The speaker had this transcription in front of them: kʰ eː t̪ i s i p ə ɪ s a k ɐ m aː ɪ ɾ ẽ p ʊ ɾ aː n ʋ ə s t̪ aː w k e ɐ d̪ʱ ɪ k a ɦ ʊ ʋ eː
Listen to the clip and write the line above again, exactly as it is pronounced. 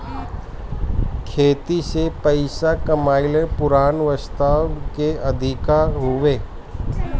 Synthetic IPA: kʰ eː t̪ i s e p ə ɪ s a k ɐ m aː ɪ l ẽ p ʊ ɾ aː n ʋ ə s t̪ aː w k e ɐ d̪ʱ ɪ k a ɦ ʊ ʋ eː